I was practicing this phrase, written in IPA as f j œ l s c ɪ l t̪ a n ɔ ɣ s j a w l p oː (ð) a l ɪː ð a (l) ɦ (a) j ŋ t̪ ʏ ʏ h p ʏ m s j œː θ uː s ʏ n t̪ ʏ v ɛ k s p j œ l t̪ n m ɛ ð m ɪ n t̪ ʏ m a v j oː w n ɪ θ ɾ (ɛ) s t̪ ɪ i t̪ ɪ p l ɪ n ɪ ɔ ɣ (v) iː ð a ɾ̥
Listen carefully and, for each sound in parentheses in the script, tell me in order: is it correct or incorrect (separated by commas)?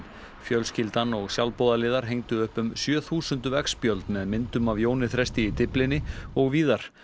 correct, incorrect, incorrect, correct, correct